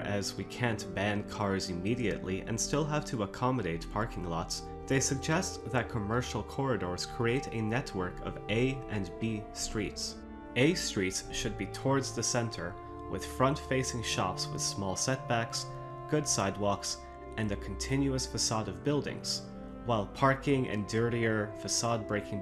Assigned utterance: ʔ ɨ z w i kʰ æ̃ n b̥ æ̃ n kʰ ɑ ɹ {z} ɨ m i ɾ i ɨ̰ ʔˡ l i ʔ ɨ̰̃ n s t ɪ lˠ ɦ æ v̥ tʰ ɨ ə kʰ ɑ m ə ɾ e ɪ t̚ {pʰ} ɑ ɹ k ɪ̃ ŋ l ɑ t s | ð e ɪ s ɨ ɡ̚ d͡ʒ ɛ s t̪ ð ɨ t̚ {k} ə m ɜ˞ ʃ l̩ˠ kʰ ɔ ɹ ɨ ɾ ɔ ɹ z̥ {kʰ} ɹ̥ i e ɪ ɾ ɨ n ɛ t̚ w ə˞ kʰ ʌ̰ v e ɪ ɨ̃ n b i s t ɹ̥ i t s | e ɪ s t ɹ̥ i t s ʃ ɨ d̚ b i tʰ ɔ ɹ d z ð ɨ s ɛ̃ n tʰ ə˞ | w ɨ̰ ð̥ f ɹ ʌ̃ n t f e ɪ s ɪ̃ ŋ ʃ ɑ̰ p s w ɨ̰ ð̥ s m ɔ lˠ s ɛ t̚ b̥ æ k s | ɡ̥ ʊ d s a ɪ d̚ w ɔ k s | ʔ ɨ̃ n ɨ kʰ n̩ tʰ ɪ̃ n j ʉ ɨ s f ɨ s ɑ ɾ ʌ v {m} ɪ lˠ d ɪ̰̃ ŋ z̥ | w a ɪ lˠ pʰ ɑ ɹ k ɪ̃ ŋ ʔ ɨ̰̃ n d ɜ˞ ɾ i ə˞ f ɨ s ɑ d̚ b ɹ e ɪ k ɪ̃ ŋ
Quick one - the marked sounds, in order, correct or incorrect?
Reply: correct, correct, incorrect, correct, incorrect

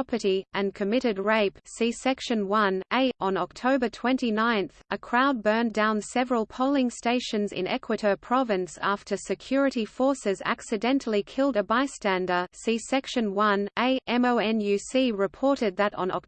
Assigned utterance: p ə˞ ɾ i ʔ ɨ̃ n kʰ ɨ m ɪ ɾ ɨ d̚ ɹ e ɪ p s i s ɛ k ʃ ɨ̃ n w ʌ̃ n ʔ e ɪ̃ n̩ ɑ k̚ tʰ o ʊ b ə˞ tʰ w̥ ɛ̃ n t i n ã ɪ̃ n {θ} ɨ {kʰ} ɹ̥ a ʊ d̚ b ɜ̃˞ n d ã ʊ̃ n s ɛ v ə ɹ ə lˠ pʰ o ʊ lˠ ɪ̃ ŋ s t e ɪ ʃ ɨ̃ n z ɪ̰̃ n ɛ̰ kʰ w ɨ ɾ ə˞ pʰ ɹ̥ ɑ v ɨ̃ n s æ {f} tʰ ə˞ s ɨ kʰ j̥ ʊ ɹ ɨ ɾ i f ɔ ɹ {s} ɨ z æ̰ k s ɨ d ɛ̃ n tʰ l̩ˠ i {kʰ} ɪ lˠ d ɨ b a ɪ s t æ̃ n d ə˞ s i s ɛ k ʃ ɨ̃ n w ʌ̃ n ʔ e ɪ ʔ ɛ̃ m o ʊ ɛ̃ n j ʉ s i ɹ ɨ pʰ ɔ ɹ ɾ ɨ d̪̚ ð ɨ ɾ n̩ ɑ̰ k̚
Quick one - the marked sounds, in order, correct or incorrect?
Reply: correct, correct, correct, correct, correct

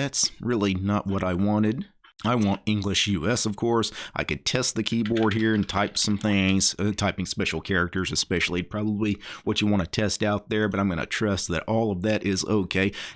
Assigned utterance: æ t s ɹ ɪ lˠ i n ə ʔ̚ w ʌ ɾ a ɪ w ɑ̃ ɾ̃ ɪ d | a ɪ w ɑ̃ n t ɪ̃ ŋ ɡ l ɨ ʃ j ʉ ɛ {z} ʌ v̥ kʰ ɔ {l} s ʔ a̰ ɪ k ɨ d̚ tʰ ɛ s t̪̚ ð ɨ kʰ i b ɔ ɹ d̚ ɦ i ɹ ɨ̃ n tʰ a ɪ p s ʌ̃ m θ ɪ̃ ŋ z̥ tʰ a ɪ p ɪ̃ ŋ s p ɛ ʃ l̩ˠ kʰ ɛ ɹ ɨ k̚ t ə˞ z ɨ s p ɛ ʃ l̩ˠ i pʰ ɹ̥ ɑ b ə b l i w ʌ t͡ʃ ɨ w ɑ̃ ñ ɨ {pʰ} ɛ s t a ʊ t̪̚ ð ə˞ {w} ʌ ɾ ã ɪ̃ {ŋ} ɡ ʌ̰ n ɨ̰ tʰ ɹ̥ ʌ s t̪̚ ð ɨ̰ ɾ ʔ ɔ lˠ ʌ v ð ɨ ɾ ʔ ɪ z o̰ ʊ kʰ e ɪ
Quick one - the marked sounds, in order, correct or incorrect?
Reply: incorrect, incorrect, incorrect, incorrect, incorrect

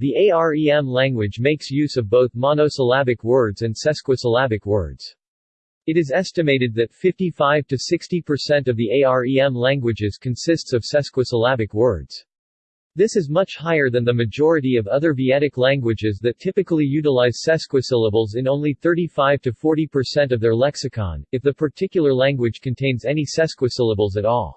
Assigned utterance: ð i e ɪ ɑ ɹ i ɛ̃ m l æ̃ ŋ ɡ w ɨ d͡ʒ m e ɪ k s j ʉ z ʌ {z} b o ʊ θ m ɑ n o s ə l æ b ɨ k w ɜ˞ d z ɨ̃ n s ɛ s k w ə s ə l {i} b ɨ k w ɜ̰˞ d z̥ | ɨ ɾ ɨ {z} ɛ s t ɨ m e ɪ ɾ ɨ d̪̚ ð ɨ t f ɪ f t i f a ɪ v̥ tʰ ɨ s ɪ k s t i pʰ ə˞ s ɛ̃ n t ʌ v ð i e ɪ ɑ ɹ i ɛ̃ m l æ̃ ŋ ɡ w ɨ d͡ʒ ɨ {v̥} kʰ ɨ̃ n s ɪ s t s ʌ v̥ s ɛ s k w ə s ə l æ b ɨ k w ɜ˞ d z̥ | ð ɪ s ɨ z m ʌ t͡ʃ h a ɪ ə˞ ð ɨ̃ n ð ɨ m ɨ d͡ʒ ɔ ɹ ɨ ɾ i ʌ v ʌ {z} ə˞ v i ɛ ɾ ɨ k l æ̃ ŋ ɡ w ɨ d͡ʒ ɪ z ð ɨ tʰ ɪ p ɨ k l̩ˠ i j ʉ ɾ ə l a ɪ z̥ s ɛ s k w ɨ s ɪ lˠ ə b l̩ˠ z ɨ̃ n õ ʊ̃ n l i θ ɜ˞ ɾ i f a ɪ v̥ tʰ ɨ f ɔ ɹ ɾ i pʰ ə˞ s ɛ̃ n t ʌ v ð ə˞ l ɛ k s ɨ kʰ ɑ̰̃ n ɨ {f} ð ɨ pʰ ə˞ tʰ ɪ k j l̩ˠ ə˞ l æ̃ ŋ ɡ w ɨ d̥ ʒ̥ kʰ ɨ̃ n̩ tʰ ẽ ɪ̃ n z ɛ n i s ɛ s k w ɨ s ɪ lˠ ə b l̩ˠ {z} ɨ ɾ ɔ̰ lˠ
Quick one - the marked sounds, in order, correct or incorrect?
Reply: incorrect, incorrect, correct, incorrect, incorrect, correct, correct

